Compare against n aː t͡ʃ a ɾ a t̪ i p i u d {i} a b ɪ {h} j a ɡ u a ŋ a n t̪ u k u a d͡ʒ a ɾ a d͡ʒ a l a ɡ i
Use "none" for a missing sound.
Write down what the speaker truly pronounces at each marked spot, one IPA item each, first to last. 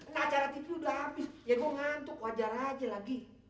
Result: a, s

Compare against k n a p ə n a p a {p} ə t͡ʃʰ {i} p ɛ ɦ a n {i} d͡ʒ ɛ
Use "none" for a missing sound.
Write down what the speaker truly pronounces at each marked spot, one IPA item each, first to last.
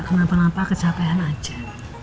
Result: k, a, a

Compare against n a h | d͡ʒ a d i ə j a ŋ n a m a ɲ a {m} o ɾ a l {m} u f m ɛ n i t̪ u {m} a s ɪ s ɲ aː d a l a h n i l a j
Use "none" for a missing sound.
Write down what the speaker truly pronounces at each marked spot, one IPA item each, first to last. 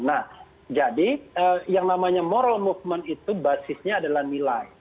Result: m, m, b

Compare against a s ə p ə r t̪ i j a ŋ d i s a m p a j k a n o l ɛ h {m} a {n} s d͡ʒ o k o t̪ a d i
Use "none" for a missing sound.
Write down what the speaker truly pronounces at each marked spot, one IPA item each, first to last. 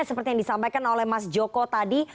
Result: m, none

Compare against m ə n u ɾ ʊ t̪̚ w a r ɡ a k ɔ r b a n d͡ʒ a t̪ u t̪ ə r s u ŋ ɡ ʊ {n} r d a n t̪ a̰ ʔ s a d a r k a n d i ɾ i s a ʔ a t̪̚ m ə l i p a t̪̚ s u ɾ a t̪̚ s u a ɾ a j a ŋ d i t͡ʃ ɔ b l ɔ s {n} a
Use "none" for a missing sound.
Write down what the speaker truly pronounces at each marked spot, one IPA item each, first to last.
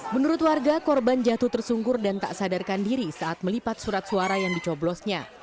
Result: none, ɲ

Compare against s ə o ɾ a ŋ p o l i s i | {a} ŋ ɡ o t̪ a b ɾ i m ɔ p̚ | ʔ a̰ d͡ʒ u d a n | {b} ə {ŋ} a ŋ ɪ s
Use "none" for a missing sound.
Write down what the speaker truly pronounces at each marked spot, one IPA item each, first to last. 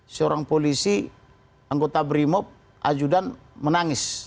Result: a, m, n

